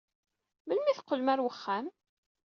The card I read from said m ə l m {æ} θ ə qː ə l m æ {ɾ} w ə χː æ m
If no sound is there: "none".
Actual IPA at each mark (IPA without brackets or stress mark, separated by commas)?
i, ɾ